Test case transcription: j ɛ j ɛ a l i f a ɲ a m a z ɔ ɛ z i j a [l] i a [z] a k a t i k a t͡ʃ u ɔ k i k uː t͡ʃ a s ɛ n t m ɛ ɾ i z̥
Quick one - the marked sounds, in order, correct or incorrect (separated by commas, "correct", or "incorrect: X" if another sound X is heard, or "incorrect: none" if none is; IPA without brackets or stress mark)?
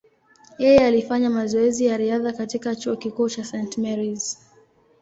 incorrect: ɾ, incorrect: ð